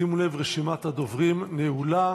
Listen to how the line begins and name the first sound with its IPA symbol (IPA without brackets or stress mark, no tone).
i